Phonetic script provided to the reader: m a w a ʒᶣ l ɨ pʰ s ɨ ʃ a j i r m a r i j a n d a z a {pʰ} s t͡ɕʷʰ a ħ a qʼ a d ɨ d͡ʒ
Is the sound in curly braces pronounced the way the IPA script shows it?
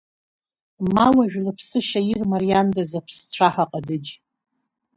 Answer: yes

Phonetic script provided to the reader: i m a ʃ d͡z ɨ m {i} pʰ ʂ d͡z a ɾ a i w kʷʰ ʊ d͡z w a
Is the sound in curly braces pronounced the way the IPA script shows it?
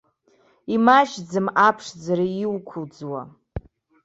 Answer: no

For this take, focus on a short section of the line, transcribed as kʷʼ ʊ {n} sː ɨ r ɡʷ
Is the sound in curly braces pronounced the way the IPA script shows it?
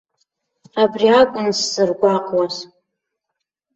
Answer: yes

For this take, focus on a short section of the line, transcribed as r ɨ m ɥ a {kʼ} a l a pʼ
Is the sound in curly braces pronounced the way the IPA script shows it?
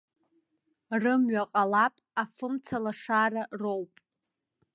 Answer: no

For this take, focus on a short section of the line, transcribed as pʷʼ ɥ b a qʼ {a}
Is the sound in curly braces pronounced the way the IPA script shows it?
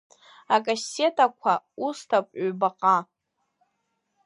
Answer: yes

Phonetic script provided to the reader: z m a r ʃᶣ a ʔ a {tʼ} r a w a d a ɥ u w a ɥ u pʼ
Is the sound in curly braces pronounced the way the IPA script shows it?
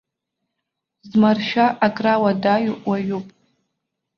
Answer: no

